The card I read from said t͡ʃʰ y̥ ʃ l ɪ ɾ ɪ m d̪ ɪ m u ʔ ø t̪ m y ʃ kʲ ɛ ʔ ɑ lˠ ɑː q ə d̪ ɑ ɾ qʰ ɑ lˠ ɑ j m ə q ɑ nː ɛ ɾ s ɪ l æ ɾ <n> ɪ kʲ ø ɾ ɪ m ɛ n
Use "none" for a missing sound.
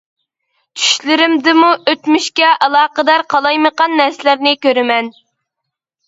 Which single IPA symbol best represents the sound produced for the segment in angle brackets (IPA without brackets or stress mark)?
n